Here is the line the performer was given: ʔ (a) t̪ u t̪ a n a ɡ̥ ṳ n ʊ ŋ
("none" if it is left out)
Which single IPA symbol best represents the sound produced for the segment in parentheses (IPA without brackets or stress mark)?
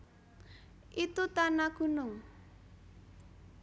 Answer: i